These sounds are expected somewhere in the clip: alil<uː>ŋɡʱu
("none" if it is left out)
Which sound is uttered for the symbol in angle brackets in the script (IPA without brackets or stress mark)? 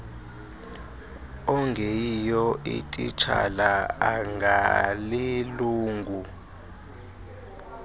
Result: uː